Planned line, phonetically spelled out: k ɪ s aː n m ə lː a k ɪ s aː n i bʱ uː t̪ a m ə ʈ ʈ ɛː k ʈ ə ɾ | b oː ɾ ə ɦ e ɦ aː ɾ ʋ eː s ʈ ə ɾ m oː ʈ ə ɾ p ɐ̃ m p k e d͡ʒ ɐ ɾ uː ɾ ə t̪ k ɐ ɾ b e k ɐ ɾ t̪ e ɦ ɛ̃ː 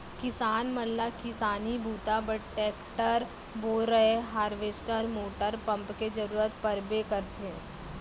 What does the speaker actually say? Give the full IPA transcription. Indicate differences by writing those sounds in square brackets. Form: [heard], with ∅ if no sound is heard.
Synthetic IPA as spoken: k ɪ s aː n m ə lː a k ɪ s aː n i bʱ uː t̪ a [b] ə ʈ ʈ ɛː k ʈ ə ɾ | b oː ɾ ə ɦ e ɦ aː ɾ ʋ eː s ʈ ə ɾ m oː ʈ ə ɾ p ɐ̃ m p k e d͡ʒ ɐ ɾ uː ɾ ə t̪ [p] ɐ ɾ b e k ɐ ɾ t̪ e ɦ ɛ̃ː